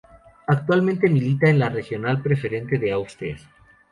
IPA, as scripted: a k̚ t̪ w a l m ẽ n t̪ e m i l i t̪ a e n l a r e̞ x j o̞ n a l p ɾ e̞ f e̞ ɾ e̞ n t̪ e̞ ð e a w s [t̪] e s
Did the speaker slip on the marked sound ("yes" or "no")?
no